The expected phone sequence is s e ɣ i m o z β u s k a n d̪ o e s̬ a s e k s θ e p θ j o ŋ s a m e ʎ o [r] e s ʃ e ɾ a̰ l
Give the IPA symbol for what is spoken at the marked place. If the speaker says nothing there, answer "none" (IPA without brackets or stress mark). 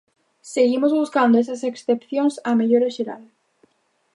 ɾ